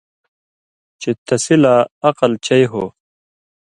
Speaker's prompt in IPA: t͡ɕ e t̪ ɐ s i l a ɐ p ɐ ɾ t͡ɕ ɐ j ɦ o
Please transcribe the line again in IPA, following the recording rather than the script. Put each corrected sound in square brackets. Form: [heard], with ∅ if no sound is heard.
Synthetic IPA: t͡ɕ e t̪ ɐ s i l a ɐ [q] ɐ [l] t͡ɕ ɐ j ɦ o